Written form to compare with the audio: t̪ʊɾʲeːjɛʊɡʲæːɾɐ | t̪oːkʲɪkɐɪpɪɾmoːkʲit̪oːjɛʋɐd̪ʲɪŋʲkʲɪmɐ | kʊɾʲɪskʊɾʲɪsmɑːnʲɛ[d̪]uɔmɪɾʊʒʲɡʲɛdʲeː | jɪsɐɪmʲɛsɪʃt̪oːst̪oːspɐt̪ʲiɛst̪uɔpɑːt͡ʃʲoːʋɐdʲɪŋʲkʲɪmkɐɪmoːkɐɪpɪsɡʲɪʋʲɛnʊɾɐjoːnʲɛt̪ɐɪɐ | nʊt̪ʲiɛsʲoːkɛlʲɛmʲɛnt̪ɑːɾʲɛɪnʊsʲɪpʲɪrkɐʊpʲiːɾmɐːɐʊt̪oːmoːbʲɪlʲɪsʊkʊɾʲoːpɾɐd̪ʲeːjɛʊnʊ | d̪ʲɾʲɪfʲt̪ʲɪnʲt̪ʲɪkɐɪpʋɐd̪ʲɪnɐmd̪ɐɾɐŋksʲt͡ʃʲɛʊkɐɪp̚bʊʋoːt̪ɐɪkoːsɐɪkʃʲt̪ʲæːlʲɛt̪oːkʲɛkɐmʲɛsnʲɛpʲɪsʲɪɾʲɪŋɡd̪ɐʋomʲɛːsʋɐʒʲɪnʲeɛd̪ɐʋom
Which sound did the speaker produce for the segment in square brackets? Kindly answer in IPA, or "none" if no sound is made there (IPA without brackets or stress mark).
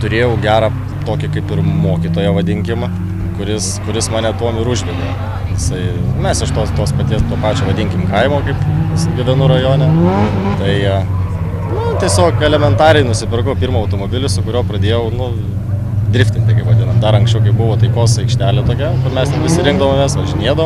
t̪